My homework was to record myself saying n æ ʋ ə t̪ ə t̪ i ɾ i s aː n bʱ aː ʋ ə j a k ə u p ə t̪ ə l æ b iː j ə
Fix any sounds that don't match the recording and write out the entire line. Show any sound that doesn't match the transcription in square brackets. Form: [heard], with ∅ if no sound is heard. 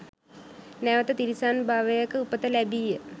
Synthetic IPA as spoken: n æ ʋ ə t̪ ə t̪ i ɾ i s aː n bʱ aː ʋ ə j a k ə u p ə t̪ ə l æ b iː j ə

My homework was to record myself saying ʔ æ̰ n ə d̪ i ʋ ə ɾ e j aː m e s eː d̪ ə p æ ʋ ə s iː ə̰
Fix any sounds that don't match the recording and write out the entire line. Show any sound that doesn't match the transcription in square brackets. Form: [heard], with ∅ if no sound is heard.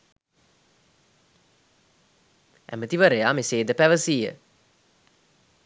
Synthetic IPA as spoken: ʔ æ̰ [m] ə [t̪] i ʋ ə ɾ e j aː m e s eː d̪ ə p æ ʋ ə s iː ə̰

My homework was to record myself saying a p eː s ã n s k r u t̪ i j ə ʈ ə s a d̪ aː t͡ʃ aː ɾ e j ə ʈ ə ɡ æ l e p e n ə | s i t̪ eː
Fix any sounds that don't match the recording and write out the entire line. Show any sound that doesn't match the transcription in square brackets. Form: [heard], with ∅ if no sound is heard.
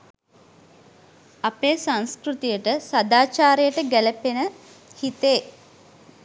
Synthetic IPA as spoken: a p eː s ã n s k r u t̪ i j ə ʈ ə s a d̪ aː t͡ʃ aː ɾ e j ə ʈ ə ɡ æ l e p e n ə | [h] i t̪ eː

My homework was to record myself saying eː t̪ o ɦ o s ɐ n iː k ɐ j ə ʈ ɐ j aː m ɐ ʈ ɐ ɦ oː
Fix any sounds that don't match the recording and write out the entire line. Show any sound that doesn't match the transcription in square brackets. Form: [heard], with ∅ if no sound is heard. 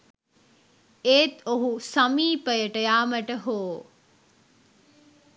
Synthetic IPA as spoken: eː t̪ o ɦ [u] s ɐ [m] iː [p] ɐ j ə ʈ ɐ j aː m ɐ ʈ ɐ ɦ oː

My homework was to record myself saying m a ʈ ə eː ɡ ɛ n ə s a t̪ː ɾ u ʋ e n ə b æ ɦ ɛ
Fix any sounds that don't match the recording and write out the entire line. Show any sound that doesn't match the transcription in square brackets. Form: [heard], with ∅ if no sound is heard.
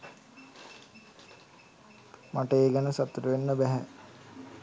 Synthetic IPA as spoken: m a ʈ ə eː ɡ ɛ n ə s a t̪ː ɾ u ʋ e [nː] ə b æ ɦ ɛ

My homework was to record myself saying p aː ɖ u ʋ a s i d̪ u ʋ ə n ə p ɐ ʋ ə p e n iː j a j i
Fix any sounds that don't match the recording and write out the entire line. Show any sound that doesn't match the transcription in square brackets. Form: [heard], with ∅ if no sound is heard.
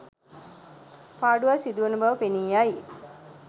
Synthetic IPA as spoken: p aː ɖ u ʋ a s i d̪ u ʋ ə n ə [b] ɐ ʋ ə p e n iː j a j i

